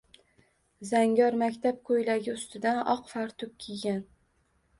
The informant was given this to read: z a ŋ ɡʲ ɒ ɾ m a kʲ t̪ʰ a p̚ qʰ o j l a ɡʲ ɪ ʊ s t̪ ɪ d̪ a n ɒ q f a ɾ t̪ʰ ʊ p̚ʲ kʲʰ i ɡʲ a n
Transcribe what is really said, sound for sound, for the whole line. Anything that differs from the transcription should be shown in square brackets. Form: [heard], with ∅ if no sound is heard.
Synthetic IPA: z a ŋ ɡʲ ɒ ɾ m a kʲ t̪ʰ a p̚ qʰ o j l a ɡʲ ɪ ʊ s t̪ ɪ d̪ a n ɒ q f a ɾ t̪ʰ ʊ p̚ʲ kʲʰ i ɡʲ a n

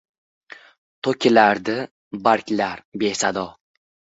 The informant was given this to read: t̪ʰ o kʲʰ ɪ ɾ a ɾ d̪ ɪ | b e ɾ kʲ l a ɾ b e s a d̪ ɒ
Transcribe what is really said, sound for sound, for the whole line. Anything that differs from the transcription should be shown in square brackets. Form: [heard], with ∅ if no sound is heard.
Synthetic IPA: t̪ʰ o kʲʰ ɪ [l] a ɾ d̪ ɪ | b [a] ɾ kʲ l a ɾ b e s a d̪ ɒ

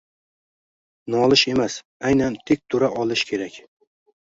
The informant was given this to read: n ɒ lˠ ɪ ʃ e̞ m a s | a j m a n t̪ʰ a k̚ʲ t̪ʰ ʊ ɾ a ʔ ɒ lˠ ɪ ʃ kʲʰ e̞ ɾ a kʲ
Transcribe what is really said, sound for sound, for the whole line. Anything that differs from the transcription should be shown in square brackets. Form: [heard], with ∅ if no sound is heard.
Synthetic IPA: n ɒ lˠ ɪ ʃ e̞ m a s | a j [n] a n t̪ʰ [e] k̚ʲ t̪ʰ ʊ ɾ a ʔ ɒ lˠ ɪ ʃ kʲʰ e̞ ɾ a kʲ

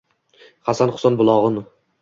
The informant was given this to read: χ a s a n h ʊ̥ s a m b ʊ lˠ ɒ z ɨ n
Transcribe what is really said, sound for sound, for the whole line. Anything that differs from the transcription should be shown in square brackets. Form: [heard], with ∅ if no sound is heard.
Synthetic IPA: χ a s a n [χ] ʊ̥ s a [n] b ʊ lˠ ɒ [ʁ] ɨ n

